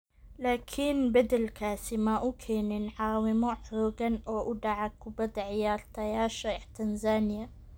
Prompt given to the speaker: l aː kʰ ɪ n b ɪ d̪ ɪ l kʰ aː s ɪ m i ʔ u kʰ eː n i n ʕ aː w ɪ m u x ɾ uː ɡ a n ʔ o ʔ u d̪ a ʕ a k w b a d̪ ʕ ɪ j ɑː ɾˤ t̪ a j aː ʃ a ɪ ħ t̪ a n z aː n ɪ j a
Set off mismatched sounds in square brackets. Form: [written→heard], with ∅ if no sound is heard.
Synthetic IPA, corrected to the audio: l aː kʰ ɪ n b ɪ d̪ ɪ l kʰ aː s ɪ m [i→a] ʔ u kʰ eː n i n ʕ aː w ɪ m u [x→ħ] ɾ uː ɡ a n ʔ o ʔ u d̪ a ʕ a k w b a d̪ ʕ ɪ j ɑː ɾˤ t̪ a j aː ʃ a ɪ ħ t̪ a n z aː n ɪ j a